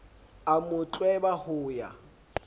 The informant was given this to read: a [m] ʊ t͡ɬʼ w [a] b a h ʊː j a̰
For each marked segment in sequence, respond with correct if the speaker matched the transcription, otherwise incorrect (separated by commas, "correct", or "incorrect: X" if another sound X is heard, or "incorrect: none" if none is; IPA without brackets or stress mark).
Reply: correct, incorrect: ɛ